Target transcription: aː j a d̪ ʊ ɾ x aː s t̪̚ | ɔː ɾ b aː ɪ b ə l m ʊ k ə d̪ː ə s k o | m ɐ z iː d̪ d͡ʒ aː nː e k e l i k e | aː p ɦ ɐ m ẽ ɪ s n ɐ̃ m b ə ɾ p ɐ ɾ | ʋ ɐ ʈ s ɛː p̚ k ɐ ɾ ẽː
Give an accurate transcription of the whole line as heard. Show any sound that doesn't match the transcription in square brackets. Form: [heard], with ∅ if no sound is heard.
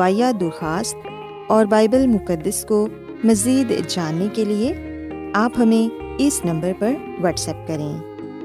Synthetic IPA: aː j a d̪ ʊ ɾ x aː s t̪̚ | ɔː ɾ b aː ɪ b ə l m ʊ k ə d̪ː ə s k o | m ɐ z iː d̪ d͡ʒ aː nː e k e l i [∅] e | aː p ɦ ɐ m ẽ ɪ s n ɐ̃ m b ə ɾ p ɐ ɾ | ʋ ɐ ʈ s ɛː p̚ k ɐ ɾ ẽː